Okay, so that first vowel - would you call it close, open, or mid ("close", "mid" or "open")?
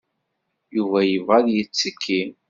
close